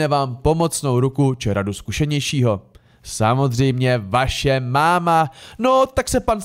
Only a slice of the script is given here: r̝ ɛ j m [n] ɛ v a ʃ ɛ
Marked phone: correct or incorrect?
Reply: incorrect